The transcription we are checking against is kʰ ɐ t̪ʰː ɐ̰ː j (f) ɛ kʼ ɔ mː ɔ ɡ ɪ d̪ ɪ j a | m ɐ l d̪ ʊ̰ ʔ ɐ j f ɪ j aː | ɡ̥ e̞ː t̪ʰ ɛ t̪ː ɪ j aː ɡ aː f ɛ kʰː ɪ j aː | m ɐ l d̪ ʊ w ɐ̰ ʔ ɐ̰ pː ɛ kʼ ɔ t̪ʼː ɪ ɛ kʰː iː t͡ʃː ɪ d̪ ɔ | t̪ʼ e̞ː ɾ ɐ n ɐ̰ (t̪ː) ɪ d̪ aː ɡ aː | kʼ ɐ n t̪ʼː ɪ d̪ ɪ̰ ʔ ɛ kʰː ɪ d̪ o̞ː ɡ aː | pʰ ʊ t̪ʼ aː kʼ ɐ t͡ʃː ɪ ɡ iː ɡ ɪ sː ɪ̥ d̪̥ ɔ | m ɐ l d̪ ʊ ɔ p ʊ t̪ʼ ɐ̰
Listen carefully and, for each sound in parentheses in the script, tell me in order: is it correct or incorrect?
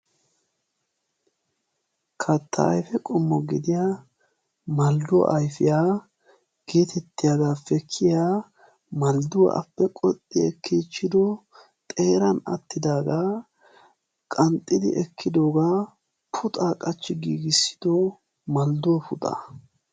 correct, correct

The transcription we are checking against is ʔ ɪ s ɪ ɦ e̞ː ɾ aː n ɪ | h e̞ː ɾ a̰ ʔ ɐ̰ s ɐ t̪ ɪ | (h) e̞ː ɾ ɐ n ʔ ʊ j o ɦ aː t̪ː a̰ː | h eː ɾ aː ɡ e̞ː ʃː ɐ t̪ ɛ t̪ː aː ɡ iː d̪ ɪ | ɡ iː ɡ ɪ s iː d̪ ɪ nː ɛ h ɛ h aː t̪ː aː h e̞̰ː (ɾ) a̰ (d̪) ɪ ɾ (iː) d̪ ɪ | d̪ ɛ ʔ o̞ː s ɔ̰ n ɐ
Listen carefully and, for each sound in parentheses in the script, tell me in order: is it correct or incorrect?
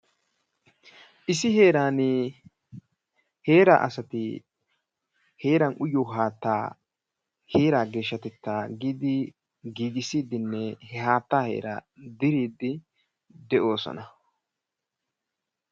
correct, correct, correct, correct

